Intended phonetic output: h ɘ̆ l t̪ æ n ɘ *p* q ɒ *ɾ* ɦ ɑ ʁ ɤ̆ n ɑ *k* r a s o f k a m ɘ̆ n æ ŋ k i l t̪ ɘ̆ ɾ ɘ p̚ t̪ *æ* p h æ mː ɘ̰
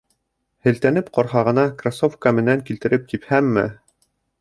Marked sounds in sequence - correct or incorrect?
correct, correct, correct, incorrect

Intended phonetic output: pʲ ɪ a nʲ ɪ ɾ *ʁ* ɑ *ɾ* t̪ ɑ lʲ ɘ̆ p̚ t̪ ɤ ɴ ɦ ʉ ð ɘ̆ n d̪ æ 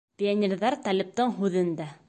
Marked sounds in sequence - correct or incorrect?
incorrect, correct

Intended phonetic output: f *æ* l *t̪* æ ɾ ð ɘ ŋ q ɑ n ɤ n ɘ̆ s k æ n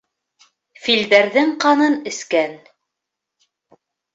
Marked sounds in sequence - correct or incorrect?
incorrect, incorrect

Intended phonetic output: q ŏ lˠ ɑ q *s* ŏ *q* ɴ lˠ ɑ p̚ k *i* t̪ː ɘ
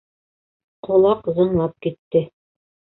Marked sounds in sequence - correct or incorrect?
incorrect, incorrect, correct

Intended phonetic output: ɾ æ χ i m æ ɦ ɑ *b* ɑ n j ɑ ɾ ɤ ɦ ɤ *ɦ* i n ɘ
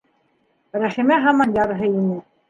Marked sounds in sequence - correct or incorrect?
incorrect, incorrect

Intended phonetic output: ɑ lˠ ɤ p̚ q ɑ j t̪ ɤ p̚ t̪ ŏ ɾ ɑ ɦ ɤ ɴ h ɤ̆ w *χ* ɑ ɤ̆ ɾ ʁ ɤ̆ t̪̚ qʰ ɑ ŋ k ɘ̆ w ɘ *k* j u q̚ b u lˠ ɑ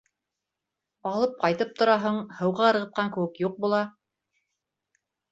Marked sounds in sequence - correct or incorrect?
incorrect, correct

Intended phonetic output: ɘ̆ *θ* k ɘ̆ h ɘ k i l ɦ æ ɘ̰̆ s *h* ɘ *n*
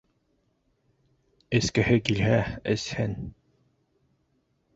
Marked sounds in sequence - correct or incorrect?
incorrect, correct, correct

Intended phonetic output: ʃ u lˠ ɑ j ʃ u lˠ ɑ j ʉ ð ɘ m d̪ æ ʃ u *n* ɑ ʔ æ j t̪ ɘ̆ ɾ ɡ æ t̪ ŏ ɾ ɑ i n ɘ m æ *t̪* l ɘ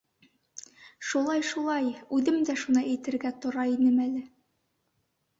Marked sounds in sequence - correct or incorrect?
correct, incorrect

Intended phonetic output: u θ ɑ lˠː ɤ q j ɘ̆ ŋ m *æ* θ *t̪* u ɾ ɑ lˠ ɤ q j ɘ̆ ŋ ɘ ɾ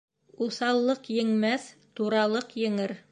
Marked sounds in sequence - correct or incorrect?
correct, correct

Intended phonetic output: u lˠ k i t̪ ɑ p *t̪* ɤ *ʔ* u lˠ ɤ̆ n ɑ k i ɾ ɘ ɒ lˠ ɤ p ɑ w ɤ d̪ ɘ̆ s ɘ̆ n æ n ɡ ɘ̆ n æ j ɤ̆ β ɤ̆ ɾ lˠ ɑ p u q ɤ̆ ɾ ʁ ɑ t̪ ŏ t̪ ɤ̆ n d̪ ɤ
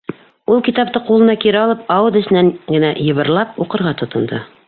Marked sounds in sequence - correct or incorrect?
correct, incorrect

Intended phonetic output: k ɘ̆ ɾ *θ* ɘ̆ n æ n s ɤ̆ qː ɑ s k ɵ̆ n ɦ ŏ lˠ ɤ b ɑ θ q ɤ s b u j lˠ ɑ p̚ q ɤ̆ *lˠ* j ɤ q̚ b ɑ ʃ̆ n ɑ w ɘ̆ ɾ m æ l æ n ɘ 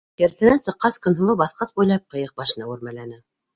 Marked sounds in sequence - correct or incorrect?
correct, incorrect

